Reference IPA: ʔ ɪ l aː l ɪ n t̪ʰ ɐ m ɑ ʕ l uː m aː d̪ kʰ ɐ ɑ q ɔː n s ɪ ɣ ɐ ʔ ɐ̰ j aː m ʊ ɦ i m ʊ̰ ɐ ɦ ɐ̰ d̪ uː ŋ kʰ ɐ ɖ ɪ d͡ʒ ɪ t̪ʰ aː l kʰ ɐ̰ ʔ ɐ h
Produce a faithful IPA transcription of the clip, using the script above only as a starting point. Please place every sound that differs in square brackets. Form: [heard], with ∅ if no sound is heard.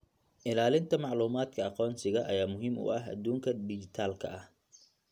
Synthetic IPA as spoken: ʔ ɪ l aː l ɪ n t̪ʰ ɐ m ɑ ʕ l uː m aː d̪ kʰ ɐ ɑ q ɔː n s ɪ ɣ ɐ ʔ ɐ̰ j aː m ʊ ɦ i m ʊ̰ ɐ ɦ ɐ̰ d̪ uː ŋ kʰ ɐ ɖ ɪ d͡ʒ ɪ t̪ʰ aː l kʰ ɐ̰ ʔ ɐ h

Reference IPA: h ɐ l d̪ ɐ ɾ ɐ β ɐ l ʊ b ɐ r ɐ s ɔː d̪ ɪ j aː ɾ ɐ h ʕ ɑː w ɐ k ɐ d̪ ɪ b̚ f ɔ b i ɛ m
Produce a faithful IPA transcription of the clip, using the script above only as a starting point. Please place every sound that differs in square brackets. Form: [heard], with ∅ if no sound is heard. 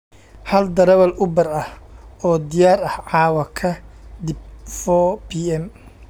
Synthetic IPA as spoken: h ɐ l d̪ ɐ ɾ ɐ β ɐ l ʊ b ɐ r ɐ [h] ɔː d̪ ɪ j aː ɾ ɐ h ʕ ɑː w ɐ [kʰ] ɐ d̪ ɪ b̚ f ɔ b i ɛ m

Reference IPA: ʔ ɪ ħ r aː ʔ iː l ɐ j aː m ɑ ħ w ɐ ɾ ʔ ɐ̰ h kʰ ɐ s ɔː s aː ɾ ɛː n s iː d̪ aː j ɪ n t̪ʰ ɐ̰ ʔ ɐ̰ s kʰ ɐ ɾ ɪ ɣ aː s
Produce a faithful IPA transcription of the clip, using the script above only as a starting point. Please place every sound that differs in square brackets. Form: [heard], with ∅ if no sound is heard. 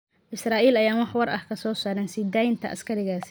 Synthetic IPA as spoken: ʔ ɪ [s] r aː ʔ iː l ɐ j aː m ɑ ħ w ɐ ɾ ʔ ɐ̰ h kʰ ɐ s ɔː s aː ɾ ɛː n s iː d̪ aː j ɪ n t̪ʰ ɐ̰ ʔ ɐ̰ s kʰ ɐ ɾ ɪ ɣ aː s

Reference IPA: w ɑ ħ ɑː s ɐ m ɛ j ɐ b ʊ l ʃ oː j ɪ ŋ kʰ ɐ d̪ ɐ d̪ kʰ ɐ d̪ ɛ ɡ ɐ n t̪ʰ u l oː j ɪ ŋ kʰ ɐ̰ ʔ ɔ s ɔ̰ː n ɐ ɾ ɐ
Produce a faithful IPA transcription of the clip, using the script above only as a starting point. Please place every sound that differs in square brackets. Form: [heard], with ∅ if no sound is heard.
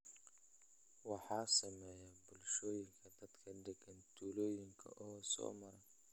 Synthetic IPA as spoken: w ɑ ħ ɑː s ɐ m ɛ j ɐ b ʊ l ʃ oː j ɪ ŋ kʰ ɐ d̪ ɐ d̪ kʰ ɐ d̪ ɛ ɡ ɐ n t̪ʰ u l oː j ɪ ŋ kʰ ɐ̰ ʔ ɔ s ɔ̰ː [m] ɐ ɾ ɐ

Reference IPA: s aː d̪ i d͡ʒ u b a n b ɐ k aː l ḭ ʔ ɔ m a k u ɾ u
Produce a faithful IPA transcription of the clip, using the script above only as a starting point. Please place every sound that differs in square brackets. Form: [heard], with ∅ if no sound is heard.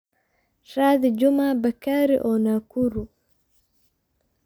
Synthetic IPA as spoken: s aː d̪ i d͡ʒ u [m] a [∅] b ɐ k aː [ɾ] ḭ ʔ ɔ [n] a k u ɾ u

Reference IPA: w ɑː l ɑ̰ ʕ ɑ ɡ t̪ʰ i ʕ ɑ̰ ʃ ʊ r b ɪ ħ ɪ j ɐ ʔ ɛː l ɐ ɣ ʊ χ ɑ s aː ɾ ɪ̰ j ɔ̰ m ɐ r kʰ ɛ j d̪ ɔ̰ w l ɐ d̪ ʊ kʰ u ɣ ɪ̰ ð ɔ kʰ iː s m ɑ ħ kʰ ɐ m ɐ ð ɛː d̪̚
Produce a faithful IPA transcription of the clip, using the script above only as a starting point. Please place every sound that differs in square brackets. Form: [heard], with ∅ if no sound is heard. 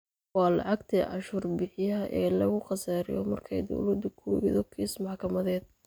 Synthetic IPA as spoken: w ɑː l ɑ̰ ʕ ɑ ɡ t̪ʰ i ʕ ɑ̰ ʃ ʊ r b ɪ ħ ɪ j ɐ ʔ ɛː l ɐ ɣ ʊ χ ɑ s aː ɾ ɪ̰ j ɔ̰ m ɐ r kʰ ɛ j d̪ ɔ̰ w l ɐ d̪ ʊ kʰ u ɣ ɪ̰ ð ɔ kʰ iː s m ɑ ħ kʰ ɐ m ɐ ð ɛː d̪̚

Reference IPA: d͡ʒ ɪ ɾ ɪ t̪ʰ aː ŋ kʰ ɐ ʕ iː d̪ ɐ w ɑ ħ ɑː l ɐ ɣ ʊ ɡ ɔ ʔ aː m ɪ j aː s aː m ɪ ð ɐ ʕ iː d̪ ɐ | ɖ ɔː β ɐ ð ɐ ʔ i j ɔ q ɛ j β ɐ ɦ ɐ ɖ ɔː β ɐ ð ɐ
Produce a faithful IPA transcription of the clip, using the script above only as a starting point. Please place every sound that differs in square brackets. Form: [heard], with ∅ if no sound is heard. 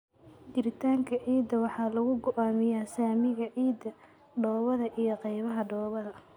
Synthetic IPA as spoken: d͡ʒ ɪ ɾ ɪ t̪ʰ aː ŋ kʰ ɐ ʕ iː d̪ ɐ w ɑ ħ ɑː l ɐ ɣ ʊ ɡ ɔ ʔ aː m ɪ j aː s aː m ɪ [ɣ] ɐ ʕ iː d̪ ɐ | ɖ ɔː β ɐ ð ɐ ʔ i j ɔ q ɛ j β ɐ ɦ ɐ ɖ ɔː β ɐ ð ɐ

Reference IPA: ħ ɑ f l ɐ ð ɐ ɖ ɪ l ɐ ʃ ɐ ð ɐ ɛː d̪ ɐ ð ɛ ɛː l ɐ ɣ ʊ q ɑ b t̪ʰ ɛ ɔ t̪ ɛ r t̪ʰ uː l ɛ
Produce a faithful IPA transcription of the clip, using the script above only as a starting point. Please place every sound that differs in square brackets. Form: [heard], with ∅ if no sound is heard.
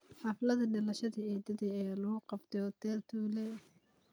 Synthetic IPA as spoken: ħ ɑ f l ɐ ð ɐ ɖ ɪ l ɐ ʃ ɐ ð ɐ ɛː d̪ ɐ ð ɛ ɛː l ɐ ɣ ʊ q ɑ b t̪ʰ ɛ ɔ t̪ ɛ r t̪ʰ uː l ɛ

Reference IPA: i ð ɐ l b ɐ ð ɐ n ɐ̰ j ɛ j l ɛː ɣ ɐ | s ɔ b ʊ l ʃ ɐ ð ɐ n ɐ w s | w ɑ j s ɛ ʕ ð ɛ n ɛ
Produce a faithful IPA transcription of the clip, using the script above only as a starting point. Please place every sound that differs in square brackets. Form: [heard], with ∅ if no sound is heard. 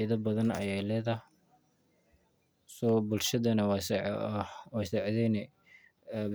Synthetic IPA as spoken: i ð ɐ [∅] b ɐ ð ɐ n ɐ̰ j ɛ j l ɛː [ð] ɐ | s ɔ b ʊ l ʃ ɐ ð ɐ n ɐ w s | w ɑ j s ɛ ʕ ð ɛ n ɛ

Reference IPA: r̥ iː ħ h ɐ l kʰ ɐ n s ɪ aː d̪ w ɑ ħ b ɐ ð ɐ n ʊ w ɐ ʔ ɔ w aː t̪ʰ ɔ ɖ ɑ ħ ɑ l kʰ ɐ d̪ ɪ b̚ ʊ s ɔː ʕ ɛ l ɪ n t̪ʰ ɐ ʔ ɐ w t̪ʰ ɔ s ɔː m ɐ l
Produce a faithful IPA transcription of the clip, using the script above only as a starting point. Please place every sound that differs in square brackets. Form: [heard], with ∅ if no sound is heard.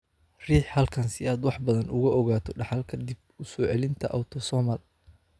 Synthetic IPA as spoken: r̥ iː ħ h ɐ l kʰ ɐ n s ɪ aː d̪ w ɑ ħ b ɐ ð ɐ n ʊ [ɣ] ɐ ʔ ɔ [ɣ] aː t̪ʰ ɔ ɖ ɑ ħ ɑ l kʰ ɐ d̪ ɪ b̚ ʊ s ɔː ʕ ɛ l ɪ n t̪ʰ ɐ ʔ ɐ w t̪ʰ ɔ s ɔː m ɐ l

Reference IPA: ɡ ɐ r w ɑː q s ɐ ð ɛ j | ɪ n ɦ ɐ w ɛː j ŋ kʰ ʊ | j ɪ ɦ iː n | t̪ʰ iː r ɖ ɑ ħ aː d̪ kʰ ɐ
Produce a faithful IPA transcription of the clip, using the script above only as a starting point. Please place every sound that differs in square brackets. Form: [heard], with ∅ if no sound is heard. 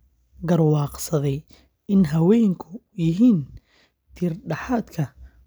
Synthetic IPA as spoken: ɡ ɐ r w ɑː q s ɐ ð ɛ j | ɪ n ɦ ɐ w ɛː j ŋ kʰ ʊ | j ɪ ɦ iː n | t̪ʰ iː r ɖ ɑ ħ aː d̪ kʰ ɐ

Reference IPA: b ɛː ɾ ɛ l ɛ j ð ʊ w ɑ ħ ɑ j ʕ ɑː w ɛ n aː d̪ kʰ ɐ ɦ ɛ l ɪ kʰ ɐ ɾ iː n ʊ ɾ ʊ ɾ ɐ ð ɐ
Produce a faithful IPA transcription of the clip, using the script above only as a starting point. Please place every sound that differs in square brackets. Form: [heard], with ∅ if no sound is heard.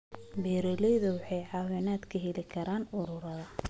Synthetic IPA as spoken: b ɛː ɾ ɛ l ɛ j ð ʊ w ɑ ħ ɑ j ʕ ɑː w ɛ n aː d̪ kʰ ɐ ɦ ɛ l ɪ kʰ ɐ ɾ [aː] n ʊ ɾ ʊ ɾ ɐ ð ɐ

